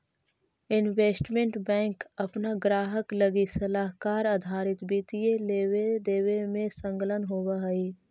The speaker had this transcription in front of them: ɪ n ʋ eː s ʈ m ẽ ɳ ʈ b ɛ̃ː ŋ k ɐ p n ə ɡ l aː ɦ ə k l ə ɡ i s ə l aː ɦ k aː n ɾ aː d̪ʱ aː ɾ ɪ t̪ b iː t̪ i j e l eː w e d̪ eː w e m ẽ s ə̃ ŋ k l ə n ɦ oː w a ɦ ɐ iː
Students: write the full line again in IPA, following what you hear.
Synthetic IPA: ɪ n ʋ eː s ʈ m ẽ ɳ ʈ b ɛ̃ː ŋ k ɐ p n a ɡ ɾ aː ɦ ə k l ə ɡ i s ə l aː ɦ k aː ɾ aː d̪ʱ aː ɾ ɪ t̪ b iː t̪ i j e l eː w e d̪ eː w e m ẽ s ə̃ ŋ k l ə n ɦ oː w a ɦ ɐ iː